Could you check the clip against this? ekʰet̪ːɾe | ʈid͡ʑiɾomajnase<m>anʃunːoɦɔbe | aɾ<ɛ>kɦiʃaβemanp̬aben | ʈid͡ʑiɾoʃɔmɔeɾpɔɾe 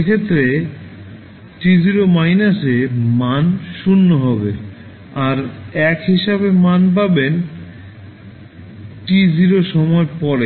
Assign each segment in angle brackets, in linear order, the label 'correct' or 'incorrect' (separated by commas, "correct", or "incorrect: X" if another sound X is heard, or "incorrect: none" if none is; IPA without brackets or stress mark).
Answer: correct, correct